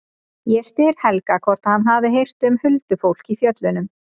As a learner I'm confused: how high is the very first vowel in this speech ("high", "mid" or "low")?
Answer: mid